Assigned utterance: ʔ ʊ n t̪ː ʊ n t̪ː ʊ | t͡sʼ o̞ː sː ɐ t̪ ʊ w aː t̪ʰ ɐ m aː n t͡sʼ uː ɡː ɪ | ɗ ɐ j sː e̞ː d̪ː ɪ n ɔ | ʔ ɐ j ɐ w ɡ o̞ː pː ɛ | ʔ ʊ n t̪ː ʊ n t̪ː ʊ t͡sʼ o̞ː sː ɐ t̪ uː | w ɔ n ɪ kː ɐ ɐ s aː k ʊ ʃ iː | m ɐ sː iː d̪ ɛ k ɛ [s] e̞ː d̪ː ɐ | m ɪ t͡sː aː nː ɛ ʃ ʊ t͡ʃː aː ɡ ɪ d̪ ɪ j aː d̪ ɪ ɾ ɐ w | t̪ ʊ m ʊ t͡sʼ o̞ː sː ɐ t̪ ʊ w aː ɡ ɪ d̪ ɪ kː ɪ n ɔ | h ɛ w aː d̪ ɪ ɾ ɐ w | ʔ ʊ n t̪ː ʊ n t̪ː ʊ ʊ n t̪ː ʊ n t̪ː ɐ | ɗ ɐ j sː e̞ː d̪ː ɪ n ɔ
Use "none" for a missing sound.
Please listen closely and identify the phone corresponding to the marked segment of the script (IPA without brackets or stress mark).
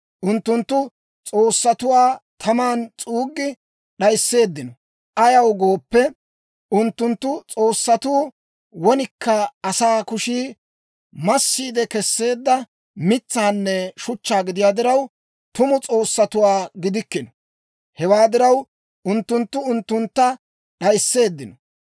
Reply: sː